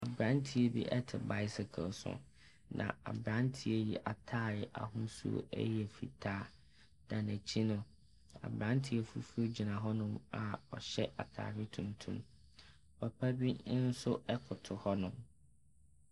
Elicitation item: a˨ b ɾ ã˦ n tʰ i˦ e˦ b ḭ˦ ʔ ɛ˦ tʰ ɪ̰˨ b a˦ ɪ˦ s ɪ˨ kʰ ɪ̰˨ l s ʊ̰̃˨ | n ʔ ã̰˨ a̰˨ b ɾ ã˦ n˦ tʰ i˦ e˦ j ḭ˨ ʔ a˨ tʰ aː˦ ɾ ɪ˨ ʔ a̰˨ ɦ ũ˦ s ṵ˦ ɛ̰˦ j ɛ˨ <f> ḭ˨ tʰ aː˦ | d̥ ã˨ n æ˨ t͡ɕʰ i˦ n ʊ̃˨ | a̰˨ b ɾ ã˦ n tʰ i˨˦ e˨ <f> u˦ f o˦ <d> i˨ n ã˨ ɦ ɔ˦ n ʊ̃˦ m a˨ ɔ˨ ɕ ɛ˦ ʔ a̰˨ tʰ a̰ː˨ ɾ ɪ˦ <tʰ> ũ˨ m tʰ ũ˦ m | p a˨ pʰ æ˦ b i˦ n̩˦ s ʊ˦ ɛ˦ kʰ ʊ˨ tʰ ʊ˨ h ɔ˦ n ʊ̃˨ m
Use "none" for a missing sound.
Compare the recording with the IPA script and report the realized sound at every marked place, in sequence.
f, f, d͡ʑ, tʰ

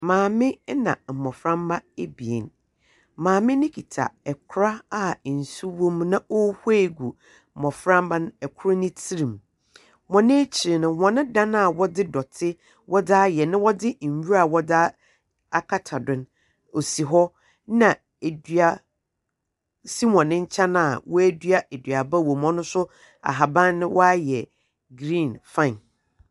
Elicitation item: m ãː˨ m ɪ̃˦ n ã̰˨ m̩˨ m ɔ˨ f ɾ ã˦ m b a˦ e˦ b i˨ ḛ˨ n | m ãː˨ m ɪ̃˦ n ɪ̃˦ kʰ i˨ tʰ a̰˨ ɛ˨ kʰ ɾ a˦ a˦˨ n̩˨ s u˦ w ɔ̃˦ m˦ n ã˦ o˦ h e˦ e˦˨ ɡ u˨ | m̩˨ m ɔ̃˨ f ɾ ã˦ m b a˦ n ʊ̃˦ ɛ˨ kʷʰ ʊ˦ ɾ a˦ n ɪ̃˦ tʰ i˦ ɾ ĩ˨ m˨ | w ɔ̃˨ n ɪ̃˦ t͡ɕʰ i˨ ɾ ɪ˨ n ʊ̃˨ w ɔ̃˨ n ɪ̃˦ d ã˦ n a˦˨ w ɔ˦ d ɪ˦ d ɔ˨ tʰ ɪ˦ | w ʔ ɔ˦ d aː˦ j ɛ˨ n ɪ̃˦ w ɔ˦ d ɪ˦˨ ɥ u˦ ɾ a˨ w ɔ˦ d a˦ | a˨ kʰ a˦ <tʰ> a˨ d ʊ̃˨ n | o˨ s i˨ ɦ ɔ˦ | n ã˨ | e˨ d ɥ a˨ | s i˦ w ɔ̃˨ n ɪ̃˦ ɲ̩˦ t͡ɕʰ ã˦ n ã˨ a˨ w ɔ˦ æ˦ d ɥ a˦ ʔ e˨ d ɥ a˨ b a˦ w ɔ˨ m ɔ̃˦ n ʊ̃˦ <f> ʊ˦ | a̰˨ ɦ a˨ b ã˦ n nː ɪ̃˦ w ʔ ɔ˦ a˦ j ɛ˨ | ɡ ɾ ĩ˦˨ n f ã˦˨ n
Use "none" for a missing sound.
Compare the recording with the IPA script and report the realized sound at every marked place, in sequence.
tʰ, s

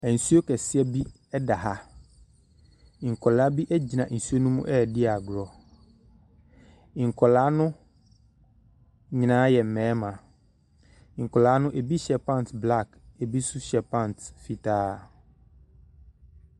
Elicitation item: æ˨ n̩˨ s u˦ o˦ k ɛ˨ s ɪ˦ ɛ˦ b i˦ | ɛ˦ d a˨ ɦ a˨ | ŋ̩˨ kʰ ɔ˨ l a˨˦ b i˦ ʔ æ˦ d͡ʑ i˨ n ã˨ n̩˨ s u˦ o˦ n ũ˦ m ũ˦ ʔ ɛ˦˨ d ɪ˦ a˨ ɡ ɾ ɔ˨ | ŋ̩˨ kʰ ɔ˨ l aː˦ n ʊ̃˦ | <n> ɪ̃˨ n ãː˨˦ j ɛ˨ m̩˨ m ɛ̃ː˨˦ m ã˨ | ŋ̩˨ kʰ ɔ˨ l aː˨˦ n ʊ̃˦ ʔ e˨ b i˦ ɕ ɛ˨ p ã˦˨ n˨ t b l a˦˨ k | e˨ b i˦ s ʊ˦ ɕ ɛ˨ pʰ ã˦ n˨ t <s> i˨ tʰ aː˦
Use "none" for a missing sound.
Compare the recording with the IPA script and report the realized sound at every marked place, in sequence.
ɲ, f

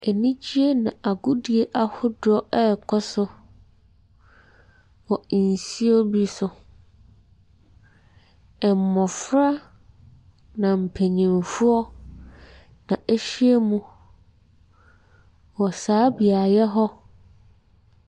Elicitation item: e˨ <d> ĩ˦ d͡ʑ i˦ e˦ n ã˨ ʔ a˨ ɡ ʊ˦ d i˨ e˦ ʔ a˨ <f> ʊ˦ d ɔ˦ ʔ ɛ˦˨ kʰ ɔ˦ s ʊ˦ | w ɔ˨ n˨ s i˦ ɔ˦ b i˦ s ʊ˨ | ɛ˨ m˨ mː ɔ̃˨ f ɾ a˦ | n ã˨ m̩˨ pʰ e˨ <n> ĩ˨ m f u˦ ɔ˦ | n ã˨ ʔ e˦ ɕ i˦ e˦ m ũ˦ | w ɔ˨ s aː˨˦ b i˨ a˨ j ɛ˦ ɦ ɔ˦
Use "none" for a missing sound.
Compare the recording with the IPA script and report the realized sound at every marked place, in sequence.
n, h, ɲ

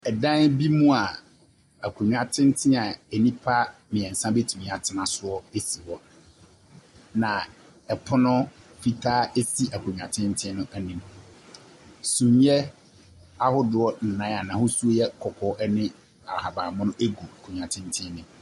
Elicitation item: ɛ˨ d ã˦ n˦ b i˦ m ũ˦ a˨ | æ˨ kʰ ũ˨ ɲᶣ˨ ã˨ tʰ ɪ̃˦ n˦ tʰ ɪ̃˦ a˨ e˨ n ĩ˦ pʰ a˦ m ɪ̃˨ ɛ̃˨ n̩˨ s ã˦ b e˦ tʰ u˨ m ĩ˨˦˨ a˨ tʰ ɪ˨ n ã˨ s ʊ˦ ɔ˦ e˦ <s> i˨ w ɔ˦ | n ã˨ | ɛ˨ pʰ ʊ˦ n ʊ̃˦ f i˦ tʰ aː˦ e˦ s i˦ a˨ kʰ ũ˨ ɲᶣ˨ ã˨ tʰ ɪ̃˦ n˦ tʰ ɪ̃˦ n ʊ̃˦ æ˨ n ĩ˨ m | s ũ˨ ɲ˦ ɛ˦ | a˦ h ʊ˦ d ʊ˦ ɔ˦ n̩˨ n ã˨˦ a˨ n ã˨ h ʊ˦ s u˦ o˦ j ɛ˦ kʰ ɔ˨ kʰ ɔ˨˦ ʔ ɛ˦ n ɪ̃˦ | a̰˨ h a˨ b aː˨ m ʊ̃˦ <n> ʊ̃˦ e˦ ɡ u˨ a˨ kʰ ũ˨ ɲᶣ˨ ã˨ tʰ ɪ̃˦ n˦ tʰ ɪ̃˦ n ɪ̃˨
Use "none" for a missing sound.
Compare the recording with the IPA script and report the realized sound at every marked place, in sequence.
s, n

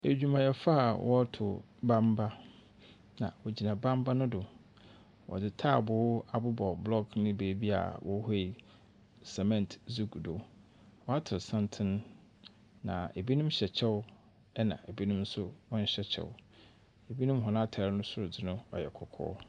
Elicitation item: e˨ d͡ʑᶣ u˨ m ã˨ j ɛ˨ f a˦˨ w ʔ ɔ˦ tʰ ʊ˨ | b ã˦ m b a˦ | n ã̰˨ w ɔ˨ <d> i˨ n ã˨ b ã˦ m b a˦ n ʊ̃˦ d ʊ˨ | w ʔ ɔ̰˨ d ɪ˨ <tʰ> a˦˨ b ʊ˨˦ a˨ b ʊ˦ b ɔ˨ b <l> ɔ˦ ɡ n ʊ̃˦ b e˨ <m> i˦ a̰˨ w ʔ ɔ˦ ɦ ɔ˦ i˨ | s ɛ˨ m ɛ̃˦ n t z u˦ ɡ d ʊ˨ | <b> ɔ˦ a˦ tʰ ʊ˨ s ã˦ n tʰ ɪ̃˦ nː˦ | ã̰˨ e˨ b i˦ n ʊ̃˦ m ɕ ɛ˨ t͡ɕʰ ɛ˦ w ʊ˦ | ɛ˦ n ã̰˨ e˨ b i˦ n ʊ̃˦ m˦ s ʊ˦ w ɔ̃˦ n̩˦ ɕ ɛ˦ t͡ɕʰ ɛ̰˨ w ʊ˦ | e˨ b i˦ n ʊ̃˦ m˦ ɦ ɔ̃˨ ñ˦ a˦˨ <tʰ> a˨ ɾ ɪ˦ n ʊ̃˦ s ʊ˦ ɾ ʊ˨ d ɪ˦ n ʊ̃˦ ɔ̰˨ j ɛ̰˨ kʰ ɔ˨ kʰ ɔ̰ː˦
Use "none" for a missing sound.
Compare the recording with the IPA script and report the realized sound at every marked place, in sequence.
d͡ʑ, tʰ, l, b, w, tʰ

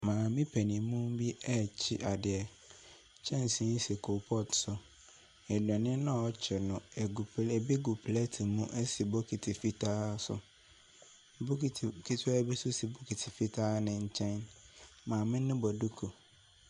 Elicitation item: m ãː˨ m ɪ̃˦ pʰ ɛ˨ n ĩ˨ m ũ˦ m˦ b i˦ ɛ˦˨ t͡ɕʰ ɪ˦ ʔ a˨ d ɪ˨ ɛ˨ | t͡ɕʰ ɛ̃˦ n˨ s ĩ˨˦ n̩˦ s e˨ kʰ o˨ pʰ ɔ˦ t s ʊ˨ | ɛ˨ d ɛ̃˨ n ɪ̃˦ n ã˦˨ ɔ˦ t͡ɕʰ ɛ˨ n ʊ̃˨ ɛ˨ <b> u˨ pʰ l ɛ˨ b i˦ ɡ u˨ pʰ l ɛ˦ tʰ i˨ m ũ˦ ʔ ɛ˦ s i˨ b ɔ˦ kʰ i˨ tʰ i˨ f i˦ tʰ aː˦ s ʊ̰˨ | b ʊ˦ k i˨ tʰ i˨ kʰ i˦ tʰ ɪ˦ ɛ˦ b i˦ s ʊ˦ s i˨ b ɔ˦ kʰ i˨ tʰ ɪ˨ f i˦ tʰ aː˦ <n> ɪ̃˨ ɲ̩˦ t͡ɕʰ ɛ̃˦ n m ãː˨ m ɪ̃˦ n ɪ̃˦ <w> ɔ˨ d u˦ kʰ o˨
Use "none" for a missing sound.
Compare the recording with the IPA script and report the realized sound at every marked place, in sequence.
ɡ, n, b

